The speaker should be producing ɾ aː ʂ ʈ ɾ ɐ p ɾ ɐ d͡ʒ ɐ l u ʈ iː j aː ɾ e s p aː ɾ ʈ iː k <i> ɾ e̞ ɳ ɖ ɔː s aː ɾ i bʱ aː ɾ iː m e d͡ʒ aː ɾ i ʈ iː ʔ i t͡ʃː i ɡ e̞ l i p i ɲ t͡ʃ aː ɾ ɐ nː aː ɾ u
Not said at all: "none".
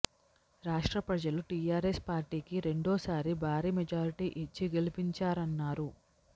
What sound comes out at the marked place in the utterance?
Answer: i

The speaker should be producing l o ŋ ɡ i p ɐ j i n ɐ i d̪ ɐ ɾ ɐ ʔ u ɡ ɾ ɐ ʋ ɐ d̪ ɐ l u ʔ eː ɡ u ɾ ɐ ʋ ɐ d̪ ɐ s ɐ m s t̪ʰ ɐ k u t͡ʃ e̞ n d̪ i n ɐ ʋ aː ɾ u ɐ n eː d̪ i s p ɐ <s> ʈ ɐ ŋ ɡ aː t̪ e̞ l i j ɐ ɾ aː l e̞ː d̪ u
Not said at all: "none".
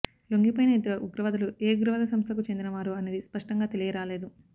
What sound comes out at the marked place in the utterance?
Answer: ʂ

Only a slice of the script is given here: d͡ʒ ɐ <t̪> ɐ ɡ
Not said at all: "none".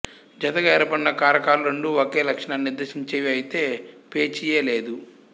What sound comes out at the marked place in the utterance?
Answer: t̪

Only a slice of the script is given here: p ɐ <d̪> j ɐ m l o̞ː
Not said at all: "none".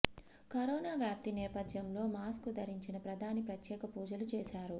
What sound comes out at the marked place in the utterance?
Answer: d̪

